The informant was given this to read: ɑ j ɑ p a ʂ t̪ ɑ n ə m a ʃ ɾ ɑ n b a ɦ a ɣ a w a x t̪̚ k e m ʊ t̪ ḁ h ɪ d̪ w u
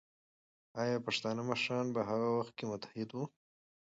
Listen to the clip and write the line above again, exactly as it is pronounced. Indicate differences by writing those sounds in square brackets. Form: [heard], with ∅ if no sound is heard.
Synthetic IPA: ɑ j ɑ p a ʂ t̪ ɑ n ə m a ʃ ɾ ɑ n b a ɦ a ɣ a w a x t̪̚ k e m ʊ t̪ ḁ h ɪ d̪ w u